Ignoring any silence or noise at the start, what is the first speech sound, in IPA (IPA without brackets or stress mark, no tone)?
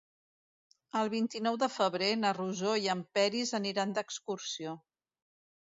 ə